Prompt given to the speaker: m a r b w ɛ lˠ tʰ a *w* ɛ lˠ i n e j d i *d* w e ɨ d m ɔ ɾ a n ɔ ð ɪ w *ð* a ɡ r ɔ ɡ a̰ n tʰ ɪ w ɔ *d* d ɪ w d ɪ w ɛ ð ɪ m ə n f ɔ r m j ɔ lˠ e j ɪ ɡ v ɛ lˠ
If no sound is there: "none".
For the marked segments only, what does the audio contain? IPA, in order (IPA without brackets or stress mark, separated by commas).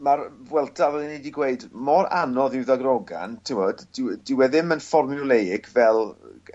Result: v, ɡ, ð, d